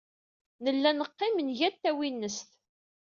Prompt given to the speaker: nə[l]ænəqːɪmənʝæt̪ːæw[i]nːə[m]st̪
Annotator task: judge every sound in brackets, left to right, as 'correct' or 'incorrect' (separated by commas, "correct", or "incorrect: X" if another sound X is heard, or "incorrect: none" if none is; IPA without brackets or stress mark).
incorrect: lː, correct, incorrect: none